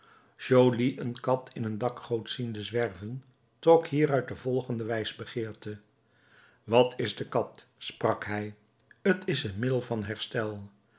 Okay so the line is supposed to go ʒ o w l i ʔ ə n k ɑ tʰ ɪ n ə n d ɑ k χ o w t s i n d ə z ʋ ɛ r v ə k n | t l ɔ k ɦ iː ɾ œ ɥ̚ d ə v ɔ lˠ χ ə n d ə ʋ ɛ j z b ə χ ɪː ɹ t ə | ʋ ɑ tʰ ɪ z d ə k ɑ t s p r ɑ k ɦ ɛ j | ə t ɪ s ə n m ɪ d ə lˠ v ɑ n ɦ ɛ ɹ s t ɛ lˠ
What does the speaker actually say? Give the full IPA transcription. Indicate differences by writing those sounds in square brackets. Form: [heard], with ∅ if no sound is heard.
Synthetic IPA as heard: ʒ o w l i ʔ ə n k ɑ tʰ ɪ n ə n d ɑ k χ o w t s i n d ə z ʋ ɛ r v ə [∅] n | t [r] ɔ k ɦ iː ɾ œ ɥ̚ d ə v ɔ lˠ χ ə n d ə ʋ ɛ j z b ə χ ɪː ɹ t ə | ʋ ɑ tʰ ɪ z d ə k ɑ t s p r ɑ k ɦ ɛ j | ə t ɪ s ə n m ɪ d ə lˠ v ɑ n ɦ ɛ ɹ s t ɛ lˠ